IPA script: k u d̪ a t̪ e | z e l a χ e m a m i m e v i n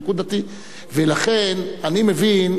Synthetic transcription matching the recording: k u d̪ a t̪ i | v e l a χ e n a n i m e v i n